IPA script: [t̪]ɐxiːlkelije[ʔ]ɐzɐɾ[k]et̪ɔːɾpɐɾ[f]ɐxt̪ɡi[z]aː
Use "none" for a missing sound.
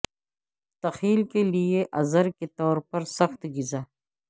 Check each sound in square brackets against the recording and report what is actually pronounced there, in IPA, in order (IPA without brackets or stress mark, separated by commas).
t̪, ʔ, k, s, z